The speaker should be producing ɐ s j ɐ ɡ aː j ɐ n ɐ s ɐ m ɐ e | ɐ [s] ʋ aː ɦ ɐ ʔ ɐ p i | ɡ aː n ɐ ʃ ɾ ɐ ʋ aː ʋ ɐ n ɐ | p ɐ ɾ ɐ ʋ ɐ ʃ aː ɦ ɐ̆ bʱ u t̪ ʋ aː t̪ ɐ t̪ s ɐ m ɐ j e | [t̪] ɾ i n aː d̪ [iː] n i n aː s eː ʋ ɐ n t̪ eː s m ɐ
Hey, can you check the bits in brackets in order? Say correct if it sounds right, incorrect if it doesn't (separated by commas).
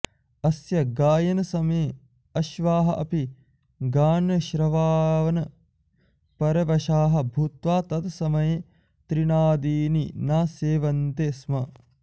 incorrect, correct, correct